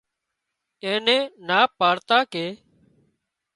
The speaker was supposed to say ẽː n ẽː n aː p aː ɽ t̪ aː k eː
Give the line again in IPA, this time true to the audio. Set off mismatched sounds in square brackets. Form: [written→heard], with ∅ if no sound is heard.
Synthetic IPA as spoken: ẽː n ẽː n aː p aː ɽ t̪ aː k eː